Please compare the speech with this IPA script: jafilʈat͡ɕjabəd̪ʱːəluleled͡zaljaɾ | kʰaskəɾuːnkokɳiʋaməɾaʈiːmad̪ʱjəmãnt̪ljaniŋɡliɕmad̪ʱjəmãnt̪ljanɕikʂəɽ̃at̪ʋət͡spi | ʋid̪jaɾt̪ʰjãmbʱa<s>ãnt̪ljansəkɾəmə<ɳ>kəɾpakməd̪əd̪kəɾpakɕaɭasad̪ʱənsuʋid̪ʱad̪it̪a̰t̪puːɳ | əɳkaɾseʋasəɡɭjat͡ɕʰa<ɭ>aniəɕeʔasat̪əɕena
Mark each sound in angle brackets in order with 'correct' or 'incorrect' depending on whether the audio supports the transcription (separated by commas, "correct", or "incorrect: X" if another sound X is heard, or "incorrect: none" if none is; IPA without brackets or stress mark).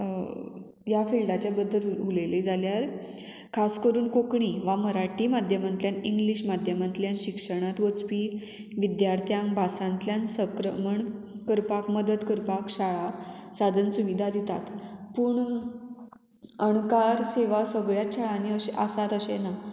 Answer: correct, correct, correct